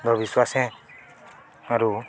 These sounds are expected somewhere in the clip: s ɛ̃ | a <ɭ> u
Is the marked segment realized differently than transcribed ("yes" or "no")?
yes